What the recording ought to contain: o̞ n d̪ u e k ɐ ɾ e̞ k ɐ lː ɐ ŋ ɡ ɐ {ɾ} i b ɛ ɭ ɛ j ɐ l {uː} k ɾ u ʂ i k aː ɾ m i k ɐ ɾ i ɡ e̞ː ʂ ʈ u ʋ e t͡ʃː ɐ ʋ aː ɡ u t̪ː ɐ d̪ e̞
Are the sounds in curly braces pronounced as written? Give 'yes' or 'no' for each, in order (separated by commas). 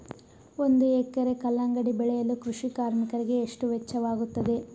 no, no